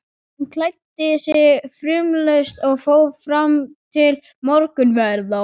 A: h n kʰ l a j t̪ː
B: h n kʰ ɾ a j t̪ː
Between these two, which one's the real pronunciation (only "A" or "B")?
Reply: A